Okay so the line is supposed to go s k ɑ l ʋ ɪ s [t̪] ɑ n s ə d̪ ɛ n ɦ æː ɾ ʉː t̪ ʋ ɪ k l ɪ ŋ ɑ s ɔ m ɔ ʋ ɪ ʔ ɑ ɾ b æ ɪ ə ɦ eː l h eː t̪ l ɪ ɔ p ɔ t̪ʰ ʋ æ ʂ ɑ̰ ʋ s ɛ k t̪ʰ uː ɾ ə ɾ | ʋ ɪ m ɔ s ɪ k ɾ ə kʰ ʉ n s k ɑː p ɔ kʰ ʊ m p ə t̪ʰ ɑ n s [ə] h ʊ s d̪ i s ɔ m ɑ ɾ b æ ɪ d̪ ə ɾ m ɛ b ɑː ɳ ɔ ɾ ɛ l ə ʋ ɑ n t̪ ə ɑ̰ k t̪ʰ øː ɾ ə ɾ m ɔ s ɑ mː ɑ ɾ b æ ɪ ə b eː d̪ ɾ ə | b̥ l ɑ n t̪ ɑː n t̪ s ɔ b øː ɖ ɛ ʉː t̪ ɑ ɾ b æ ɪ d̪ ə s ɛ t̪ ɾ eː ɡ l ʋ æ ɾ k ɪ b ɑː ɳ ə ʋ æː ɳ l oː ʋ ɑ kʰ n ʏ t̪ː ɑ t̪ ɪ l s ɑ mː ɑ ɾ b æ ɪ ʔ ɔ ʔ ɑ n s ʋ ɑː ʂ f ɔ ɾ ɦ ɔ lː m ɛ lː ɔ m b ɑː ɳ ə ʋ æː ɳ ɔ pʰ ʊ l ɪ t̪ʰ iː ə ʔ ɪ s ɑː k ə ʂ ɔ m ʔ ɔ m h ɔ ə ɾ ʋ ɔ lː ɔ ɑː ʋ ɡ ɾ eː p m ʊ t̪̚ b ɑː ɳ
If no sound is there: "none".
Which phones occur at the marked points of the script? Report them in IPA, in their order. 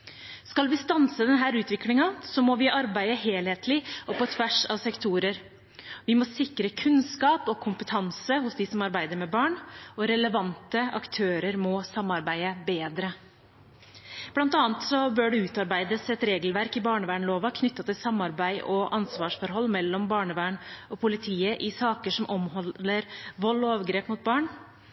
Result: t̪, ə

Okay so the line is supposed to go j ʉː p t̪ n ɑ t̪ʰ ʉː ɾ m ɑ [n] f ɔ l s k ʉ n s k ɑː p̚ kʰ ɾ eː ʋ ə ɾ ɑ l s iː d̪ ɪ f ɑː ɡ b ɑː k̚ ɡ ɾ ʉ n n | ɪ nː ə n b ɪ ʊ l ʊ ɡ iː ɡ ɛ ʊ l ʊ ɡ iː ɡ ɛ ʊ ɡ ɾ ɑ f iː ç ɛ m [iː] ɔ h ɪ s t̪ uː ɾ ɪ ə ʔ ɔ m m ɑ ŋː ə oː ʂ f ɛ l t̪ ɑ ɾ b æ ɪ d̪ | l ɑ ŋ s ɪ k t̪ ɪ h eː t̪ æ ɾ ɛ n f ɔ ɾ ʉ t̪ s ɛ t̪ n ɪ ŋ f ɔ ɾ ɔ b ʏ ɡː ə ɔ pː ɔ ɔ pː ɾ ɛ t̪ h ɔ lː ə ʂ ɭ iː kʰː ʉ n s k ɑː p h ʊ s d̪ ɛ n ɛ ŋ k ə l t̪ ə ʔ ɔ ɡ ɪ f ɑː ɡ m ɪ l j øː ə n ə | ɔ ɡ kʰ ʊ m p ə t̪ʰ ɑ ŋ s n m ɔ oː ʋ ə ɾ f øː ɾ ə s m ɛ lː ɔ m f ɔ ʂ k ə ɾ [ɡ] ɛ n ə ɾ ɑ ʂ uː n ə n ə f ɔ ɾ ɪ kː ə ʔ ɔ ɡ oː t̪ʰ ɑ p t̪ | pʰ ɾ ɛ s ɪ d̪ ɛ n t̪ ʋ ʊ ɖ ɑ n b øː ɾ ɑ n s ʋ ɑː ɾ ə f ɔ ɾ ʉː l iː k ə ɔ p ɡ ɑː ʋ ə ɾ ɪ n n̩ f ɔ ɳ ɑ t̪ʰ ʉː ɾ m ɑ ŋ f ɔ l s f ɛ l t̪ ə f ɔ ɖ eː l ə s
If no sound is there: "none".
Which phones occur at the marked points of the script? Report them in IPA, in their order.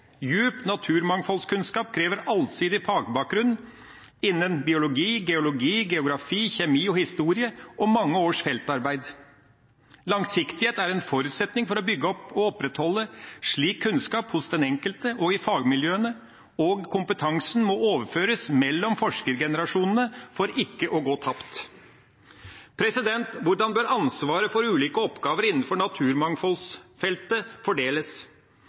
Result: ŋ, iː, ɡ

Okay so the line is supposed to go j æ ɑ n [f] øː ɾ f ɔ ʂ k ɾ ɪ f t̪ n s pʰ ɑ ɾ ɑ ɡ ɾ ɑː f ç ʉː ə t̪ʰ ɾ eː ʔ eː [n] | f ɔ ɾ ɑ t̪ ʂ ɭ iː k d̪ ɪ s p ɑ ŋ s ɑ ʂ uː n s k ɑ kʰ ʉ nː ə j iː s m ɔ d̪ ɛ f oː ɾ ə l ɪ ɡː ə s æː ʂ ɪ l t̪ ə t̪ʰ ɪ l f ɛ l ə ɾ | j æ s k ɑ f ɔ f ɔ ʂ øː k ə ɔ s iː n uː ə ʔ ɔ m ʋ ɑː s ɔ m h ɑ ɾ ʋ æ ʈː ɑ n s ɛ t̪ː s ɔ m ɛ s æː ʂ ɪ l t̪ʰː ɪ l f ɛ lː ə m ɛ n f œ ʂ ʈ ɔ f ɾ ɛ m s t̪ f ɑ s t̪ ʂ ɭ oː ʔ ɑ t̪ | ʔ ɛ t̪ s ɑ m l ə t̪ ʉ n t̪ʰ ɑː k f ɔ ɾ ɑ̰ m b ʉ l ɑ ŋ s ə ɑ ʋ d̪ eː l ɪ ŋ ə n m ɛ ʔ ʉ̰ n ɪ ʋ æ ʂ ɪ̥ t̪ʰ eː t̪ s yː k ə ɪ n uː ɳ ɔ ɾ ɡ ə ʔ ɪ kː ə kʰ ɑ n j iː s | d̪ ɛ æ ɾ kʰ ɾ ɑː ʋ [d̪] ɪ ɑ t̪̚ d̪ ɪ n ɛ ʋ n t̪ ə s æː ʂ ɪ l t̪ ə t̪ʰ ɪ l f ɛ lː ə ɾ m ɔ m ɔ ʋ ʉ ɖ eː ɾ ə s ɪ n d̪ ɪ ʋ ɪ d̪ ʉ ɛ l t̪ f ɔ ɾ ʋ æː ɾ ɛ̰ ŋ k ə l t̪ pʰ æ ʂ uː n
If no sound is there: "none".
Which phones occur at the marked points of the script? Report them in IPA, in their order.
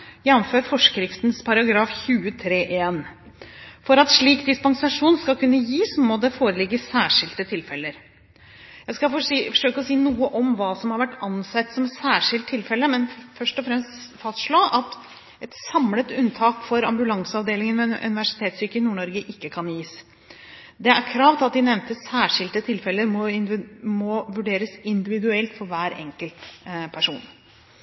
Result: f, n, t̪

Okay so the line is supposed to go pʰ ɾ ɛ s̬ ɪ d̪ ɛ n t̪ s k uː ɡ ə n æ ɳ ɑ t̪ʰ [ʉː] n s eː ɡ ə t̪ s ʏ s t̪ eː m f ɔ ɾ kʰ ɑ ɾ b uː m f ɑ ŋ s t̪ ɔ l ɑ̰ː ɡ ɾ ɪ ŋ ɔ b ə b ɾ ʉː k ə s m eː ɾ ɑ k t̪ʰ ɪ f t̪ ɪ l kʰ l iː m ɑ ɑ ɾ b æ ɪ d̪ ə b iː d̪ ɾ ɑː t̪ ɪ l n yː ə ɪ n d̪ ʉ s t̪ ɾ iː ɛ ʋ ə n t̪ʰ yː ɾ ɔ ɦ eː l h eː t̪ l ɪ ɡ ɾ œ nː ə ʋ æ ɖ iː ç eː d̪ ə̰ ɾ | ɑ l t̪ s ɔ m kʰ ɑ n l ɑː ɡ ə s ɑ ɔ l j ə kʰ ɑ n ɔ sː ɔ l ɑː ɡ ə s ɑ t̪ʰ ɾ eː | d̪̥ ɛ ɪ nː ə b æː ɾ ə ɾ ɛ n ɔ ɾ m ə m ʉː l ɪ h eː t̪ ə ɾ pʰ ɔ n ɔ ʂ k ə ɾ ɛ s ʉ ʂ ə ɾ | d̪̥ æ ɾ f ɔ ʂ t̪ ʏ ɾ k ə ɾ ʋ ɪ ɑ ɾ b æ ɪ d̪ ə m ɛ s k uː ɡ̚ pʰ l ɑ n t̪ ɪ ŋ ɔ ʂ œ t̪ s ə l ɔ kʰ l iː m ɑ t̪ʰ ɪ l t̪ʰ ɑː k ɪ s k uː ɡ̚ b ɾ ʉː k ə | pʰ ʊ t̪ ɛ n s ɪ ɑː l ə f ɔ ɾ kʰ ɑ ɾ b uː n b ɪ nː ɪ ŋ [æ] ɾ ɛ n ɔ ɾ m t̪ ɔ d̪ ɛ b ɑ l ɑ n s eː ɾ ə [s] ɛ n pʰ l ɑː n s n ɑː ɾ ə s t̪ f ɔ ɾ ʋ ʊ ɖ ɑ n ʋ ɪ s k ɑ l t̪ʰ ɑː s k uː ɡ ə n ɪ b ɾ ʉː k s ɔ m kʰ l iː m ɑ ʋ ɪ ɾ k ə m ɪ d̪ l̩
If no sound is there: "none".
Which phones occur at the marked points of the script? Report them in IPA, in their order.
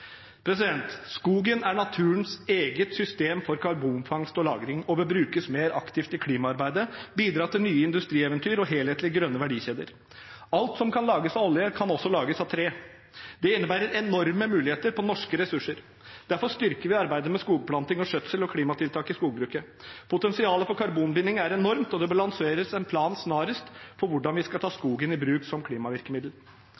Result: ʉː, æ, s

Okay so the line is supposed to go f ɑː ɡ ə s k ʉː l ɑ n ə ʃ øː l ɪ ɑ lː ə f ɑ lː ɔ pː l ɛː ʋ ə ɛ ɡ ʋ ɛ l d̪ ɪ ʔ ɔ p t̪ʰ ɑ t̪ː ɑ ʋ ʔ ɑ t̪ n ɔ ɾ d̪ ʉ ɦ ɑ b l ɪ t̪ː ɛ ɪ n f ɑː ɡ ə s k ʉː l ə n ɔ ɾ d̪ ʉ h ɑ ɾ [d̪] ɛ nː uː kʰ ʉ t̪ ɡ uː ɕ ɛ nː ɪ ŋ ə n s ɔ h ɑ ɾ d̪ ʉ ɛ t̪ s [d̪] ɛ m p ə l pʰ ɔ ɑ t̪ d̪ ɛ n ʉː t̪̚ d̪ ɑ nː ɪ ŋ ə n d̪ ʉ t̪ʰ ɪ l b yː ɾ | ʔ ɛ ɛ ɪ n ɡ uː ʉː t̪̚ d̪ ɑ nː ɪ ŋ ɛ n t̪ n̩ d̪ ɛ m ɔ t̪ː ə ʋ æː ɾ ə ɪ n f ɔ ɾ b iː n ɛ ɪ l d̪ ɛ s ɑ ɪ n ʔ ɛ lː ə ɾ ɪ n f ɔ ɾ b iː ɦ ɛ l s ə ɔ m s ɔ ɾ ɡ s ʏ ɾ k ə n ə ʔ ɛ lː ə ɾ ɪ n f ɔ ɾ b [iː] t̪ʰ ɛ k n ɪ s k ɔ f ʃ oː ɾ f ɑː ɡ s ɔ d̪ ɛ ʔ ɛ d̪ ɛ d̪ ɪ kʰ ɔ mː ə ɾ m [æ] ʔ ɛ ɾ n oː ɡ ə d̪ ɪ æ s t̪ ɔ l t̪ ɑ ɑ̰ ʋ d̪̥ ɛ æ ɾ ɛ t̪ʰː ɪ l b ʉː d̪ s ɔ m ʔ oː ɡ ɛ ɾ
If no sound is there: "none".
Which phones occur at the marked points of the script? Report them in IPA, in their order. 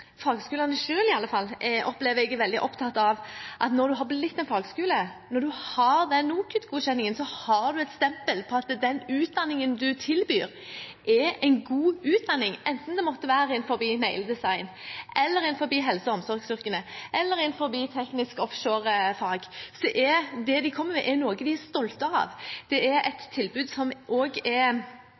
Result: d̪, t̪, iː, ɛ

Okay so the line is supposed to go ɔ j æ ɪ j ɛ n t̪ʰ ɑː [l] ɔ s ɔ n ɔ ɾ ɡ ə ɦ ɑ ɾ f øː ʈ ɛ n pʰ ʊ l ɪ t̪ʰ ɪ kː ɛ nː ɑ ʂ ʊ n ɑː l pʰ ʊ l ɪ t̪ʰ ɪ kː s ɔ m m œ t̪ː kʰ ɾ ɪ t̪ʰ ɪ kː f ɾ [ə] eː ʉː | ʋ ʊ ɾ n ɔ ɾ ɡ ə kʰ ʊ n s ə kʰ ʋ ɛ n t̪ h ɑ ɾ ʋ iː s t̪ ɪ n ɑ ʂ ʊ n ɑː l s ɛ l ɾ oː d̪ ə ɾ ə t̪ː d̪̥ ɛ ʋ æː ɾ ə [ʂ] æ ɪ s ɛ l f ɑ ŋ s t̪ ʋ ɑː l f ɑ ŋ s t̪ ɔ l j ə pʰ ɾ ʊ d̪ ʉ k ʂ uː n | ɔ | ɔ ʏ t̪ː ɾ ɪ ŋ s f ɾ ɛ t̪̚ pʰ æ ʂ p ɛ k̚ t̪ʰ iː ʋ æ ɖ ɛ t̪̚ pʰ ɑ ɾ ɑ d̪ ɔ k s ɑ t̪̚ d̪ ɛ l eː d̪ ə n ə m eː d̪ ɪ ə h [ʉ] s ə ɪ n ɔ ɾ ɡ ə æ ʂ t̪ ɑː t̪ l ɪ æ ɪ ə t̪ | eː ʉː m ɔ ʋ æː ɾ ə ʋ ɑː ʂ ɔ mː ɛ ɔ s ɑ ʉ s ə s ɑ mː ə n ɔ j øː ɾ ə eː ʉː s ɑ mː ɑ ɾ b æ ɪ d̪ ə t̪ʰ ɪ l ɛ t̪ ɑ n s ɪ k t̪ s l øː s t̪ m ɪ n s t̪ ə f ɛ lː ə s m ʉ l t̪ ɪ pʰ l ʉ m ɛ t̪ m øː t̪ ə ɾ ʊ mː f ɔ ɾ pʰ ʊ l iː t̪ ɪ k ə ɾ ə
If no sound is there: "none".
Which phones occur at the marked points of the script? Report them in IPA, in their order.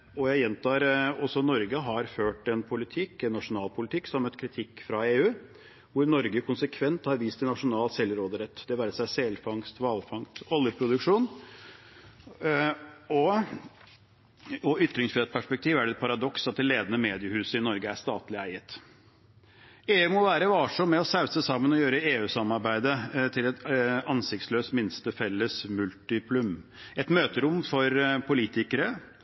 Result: ɾ, ɑ, s, ʉː

